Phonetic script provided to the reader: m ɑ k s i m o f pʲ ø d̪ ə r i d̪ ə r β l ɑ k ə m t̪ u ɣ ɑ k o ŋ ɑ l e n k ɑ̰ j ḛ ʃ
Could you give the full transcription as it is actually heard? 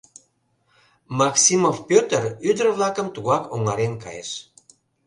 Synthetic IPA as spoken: m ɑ k s i m o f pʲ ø t̪ ə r y d̪ ə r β l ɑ k ə m t̪ u ɣ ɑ k o ŋ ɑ ɾ e n k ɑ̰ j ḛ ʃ